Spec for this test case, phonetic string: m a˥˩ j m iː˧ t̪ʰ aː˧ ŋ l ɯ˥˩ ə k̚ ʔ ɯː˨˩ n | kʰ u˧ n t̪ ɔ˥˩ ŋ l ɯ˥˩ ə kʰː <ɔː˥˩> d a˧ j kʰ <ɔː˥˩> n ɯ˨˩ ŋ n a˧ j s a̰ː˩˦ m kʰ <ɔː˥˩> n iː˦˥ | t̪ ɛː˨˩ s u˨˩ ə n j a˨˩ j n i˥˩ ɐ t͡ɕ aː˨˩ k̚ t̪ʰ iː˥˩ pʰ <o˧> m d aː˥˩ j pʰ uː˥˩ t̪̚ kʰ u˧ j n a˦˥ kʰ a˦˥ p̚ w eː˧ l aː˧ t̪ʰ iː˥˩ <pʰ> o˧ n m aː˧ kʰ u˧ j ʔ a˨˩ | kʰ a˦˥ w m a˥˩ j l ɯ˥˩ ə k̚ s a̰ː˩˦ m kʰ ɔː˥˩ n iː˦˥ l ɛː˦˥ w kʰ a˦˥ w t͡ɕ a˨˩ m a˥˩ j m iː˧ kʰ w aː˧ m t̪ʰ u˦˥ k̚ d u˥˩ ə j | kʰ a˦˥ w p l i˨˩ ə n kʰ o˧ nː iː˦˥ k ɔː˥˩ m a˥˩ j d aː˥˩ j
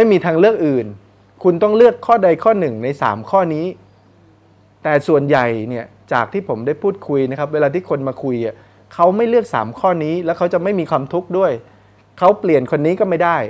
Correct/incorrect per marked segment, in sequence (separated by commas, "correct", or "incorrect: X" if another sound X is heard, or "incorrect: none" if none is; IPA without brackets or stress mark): correct, correct, correct, incorrect: o˩˦, incorrect: kʰ